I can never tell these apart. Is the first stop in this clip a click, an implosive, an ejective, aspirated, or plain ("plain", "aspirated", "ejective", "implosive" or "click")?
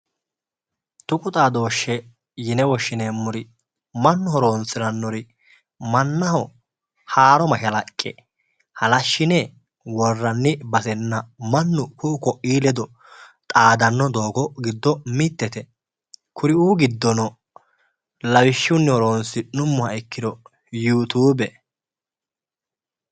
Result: plain